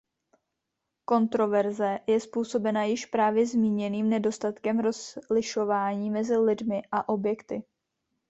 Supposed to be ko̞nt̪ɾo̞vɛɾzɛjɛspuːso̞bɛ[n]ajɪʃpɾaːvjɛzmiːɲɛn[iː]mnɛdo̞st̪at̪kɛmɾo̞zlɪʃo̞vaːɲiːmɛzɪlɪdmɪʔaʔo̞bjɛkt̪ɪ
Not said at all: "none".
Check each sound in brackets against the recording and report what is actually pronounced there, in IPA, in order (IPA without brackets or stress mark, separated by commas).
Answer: n, iː